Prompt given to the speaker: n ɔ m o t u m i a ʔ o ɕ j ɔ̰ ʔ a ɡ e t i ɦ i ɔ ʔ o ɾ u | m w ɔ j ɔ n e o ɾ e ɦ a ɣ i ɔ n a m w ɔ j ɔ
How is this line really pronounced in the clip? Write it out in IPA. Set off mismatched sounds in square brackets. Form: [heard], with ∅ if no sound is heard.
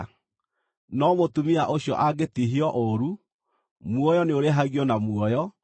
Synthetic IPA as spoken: n ɔ m o t u m i a ʔ o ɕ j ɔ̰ ʔ a ɡ e t i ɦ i ɔ ʔ o ɾ u | m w ɔ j ɔ n e o ɾ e ɦ a ɣ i ɔ n a m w ɔ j ɔ